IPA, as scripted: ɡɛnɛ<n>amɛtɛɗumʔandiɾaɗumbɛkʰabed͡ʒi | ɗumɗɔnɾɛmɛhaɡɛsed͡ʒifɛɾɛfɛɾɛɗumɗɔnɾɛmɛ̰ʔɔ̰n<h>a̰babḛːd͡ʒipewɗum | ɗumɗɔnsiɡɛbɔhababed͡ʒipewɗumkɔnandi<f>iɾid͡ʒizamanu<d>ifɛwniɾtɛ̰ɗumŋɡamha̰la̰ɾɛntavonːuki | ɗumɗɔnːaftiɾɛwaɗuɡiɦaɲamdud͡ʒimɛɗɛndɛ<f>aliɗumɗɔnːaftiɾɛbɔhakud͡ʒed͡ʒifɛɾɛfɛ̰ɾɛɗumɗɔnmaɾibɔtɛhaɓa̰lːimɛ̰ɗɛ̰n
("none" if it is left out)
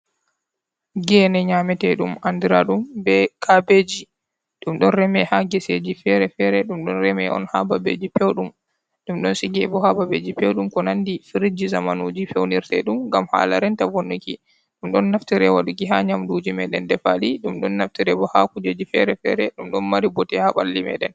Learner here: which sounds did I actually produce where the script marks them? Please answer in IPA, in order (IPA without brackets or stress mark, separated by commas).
ɲ, h, f, d͡ʒ, f